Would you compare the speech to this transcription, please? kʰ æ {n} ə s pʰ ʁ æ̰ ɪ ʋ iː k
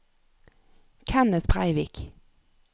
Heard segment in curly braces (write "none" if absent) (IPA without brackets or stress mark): n